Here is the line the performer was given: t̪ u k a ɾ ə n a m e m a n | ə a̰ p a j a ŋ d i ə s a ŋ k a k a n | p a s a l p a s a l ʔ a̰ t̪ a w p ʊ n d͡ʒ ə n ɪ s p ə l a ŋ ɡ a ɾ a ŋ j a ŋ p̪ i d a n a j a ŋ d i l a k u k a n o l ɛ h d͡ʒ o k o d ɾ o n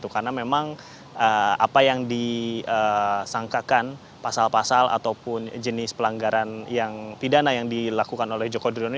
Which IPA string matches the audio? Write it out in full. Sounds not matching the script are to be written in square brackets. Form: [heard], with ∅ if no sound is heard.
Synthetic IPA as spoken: t̪ u k a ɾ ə n a m e m a [ŋ] | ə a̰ p a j a ŋ d i ə s a ŋ k a k a n | p a s a l p a s a l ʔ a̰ t̪ a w p ʊ n d͡ʒ ə n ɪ s p ə l a ŋ ɡ a ɾ a [n] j a ŋ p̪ i d a n a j a ŋ d i l a k u k a n o l ɛ h d͡ʒ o k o d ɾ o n